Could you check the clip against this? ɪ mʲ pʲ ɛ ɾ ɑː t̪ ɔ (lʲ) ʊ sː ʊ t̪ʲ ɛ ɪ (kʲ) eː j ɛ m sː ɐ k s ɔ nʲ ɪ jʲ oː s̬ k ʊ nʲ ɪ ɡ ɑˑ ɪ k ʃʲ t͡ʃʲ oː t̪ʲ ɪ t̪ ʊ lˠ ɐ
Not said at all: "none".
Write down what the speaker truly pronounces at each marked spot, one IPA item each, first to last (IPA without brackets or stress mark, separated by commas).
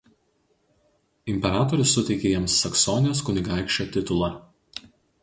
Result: ɾʲ, kʲ